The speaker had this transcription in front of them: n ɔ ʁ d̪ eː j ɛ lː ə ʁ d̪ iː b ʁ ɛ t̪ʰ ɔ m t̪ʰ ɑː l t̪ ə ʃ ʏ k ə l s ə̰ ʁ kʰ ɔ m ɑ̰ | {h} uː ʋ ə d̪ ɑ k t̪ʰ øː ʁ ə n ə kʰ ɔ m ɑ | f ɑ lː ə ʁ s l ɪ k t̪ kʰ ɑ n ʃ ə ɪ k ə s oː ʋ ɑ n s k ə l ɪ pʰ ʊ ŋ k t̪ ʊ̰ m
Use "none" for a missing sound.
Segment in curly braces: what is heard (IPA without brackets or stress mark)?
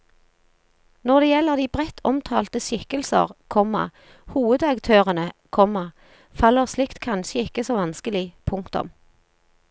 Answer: h